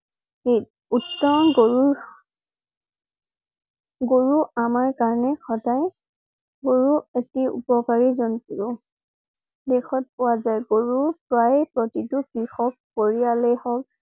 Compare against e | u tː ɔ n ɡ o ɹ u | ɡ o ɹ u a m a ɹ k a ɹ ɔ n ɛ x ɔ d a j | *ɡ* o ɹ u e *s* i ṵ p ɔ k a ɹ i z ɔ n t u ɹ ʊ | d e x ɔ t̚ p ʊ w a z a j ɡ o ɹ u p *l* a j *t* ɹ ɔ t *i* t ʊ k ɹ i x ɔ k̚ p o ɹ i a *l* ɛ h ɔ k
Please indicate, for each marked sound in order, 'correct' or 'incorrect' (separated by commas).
correct, incorrect, incorrect, incorrect, correct, correct